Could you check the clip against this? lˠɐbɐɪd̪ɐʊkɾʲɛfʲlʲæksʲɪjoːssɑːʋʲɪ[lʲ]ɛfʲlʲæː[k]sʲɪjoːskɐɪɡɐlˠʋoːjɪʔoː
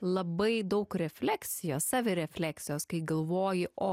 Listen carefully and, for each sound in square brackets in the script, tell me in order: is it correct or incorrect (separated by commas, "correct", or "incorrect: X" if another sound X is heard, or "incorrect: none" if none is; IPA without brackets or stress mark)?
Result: incorrect: ɾʲ, correct